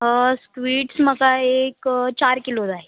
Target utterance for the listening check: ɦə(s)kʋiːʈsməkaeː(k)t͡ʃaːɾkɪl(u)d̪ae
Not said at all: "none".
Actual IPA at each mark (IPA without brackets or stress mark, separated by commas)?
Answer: s, k, o